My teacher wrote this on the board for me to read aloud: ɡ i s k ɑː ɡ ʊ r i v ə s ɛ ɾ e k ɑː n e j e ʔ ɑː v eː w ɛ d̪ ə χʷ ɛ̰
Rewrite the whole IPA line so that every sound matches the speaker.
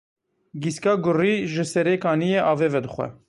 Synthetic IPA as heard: ɡ i s k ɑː ɡ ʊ r i ʒ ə s ɛ ɾ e k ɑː n i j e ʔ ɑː v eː v ɛ d̪ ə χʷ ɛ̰